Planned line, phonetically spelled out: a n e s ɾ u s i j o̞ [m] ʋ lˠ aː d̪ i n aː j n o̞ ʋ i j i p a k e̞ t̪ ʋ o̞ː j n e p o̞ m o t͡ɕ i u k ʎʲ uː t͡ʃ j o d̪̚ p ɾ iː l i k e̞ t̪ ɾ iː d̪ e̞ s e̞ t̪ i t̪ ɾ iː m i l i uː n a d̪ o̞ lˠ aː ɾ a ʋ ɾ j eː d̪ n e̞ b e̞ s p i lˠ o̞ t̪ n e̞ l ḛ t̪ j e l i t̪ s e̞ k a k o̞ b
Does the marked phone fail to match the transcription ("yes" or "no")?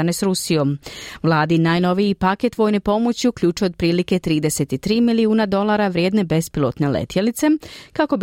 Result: no